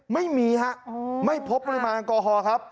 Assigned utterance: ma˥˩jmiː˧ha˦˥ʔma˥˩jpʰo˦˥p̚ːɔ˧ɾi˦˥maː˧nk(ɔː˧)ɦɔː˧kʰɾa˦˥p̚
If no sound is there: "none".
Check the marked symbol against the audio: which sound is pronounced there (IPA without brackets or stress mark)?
ɔː˧